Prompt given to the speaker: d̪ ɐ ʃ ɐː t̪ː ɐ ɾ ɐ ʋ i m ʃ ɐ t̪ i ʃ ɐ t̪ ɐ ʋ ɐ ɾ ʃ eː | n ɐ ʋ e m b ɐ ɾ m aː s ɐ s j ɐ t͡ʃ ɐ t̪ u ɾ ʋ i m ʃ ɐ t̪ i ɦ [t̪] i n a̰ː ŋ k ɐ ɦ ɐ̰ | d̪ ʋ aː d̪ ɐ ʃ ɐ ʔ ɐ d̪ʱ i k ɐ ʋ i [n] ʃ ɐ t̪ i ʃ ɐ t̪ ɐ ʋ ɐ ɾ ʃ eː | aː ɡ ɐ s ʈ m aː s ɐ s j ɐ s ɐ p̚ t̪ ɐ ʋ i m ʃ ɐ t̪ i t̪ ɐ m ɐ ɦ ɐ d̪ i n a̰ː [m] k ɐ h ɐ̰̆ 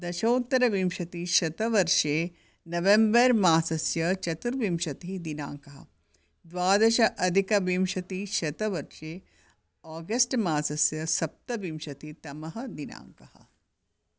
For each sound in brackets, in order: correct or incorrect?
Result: incorrect: d̪, incorrect: m, incorrect: ŋ

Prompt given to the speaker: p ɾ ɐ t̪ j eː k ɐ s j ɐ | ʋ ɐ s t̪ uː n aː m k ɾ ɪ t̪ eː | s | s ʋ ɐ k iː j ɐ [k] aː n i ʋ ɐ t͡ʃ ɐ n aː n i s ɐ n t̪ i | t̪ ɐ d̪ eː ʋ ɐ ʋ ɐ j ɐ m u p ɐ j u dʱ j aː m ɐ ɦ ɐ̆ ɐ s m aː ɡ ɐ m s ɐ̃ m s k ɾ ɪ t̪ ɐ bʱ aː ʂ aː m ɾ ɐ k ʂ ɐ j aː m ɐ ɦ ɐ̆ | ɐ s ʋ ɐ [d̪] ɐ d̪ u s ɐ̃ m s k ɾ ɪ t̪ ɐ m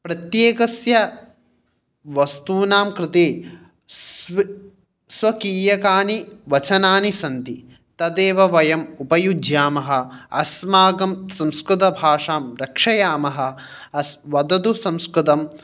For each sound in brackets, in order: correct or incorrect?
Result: correct, correct

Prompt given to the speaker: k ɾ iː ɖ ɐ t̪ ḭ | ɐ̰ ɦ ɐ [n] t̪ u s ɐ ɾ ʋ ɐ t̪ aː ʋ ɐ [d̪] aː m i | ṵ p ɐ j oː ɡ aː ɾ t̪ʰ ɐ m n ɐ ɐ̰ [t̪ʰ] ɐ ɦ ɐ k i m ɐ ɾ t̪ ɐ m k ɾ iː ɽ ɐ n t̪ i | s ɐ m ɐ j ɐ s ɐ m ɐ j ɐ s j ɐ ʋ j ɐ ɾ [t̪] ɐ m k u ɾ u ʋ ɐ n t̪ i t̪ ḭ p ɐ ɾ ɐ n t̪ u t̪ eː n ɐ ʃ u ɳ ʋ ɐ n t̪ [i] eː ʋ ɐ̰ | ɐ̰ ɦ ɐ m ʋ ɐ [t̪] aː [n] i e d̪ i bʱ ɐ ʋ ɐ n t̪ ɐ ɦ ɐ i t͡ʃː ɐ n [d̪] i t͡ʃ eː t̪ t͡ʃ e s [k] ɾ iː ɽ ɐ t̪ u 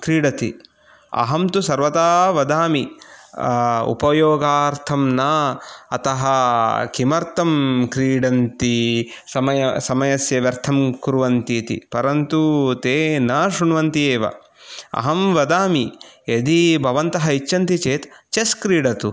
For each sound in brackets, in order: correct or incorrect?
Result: incorrect: m, correct, incorrect: t̪, incorrect: t̪ʰ, correct, incorrect: d̪, incorrect: m, incorrect: t̪, correct

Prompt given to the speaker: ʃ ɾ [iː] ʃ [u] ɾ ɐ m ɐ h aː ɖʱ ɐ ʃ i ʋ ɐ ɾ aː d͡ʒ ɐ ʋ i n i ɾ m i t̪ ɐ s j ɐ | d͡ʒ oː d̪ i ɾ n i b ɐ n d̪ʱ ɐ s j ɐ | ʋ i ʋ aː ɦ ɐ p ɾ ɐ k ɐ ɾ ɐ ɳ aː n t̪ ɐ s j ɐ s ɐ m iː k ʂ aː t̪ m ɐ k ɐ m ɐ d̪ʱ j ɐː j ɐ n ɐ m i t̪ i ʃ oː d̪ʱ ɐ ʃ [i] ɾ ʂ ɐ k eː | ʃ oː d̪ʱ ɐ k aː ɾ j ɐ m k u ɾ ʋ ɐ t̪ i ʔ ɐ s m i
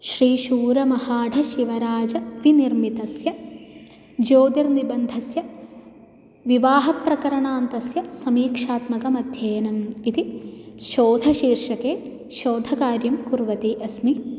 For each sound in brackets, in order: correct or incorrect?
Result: correct, incorrect: uː, incorrect: iː

